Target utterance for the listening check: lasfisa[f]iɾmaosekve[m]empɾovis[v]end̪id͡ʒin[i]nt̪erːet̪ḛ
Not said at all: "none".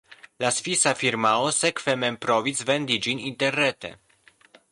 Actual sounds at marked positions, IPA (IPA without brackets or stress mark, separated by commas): f, m, v, i